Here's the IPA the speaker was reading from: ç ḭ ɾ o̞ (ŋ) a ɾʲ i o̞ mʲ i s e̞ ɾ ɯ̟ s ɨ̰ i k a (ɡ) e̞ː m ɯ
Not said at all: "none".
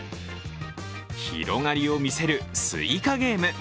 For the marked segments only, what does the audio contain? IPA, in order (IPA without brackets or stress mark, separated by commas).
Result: ŋ, ɡ